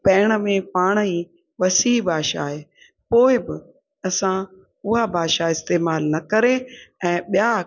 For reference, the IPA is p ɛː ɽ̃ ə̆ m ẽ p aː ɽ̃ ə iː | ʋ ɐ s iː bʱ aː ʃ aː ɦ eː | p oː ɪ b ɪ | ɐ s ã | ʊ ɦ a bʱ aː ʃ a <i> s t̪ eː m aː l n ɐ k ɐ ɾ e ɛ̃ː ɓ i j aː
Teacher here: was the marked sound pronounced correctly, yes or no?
no